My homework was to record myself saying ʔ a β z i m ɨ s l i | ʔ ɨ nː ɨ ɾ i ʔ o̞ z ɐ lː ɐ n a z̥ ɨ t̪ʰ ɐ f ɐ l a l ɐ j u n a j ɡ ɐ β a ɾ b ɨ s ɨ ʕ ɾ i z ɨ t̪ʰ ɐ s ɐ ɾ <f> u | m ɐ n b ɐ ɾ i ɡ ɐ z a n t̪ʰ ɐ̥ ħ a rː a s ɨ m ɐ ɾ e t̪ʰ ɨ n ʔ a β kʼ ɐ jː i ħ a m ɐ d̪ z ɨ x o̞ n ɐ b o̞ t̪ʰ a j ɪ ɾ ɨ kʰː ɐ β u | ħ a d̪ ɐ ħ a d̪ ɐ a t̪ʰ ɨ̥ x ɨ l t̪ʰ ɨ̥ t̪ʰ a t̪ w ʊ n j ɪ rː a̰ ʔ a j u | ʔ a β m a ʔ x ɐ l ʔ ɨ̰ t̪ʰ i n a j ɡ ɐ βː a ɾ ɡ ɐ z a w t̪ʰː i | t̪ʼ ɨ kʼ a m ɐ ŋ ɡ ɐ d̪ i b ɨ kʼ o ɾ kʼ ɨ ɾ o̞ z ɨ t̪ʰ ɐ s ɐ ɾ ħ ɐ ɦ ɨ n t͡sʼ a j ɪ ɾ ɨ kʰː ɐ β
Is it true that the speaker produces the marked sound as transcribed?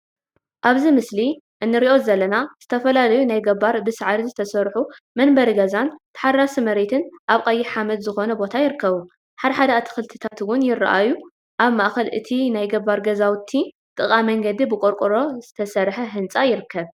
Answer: no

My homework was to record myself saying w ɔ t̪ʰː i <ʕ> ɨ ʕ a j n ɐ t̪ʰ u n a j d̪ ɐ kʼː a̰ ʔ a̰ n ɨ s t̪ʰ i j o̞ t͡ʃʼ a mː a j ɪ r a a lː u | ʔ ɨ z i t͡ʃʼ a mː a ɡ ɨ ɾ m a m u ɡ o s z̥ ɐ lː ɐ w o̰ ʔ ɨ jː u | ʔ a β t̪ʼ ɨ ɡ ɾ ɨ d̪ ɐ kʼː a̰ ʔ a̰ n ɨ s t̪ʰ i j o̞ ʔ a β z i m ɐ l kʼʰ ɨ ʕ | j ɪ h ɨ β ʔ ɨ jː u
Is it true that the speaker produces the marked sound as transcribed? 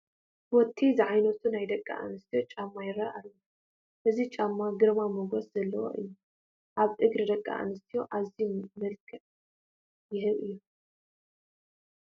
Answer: no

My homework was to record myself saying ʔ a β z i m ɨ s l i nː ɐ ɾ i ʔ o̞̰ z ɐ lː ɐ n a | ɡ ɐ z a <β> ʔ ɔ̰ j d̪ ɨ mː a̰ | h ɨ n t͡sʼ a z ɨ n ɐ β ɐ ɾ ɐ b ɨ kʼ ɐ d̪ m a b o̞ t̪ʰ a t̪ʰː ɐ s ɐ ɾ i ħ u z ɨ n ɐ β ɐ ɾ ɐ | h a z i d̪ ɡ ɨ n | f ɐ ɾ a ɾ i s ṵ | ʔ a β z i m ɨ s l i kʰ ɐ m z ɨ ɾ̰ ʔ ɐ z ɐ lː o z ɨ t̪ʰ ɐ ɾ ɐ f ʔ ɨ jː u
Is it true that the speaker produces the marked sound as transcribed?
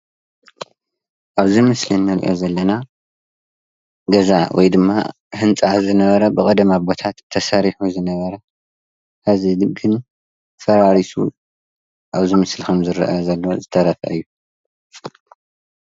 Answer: no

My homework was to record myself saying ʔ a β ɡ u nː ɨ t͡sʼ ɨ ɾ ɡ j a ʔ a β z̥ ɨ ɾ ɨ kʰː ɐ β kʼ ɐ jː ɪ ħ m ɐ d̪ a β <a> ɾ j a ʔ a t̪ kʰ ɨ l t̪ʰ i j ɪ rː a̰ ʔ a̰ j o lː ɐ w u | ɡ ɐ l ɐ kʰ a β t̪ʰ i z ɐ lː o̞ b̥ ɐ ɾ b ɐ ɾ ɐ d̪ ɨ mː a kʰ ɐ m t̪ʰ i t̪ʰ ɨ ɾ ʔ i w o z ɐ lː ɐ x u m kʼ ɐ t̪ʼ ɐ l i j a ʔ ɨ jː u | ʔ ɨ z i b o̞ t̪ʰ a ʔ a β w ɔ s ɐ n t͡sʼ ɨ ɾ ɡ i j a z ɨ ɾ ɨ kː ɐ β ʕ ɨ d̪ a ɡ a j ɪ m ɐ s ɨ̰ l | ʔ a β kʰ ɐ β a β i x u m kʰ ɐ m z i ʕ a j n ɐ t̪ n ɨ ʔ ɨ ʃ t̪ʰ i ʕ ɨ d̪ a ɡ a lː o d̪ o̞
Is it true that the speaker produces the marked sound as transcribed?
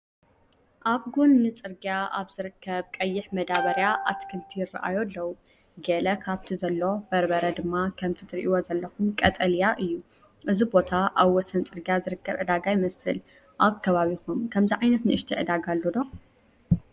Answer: no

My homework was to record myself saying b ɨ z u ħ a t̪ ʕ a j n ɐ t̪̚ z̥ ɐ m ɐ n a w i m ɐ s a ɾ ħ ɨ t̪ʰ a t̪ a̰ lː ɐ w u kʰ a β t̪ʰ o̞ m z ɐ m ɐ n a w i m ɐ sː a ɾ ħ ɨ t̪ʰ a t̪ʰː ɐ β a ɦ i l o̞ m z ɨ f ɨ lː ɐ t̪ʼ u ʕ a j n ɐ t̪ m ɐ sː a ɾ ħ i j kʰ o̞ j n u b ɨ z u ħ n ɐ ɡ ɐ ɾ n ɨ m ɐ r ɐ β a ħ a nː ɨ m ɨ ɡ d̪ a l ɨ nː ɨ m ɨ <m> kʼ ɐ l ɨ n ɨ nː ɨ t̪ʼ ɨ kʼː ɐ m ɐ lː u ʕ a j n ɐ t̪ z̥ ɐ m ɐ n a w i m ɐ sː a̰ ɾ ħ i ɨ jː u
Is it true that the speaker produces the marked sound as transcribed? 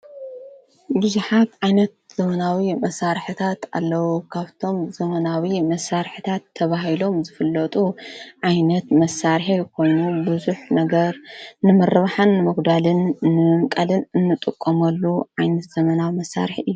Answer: yes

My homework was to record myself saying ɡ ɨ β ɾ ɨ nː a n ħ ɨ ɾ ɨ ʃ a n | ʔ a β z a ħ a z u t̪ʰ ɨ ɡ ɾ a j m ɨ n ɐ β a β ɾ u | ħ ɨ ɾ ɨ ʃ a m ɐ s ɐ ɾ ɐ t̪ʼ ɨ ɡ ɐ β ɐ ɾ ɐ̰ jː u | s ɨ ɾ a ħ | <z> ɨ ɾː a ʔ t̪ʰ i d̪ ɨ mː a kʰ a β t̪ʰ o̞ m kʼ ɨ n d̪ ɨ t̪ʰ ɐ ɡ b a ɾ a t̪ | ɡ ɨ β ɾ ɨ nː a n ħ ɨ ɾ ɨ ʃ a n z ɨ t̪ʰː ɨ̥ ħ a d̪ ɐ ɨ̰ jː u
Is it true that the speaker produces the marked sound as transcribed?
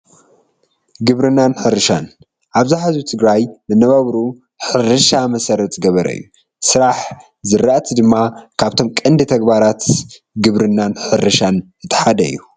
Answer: yes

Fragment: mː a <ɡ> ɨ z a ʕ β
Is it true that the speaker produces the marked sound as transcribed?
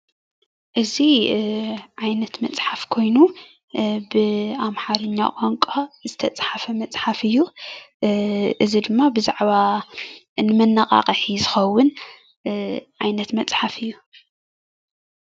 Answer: no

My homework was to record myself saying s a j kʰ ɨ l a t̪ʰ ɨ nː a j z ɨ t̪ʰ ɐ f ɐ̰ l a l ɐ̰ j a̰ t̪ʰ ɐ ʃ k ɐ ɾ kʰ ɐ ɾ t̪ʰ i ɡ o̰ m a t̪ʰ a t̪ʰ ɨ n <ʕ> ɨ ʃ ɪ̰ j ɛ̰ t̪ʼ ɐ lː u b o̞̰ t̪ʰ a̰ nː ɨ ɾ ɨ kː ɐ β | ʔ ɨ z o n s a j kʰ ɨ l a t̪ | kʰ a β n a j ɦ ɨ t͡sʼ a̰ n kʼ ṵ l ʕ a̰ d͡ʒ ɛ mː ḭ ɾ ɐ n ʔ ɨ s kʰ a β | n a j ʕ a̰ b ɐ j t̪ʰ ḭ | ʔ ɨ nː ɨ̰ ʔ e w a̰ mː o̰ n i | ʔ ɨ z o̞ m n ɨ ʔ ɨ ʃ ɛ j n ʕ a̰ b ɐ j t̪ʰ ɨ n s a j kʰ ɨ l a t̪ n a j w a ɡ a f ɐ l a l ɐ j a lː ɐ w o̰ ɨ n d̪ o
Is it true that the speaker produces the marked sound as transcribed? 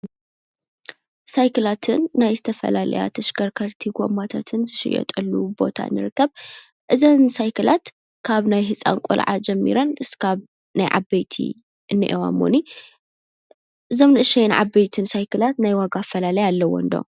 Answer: no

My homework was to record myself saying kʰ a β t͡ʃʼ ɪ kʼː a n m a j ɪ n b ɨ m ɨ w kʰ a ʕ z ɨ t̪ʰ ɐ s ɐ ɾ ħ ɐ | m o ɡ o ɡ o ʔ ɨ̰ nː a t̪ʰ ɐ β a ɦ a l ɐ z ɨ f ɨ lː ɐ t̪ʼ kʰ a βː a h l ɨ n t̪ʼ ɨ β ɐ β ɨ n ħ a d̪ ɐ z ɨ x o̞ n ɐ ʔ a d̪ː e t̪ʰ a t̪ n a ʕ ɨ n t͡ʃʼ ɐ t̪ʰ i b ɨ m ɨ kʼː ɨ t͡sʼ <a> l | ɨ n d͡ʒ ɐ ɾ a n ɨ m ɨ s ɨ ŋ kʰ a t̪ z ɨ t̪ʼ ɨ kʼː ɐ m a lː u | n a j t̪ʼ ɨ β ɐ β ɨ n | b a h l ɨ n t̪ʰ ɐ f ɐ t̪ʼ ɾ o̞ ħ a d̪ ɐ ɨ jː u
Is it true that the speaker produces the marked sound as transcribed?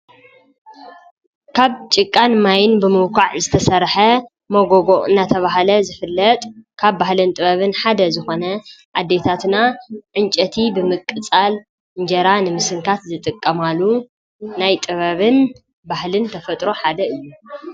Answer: yes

